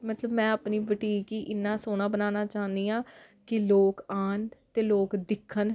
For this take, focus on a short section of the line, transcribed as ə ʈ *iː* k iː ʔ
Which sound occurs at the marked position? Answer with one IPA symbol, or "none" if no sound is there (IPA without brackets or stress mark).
iː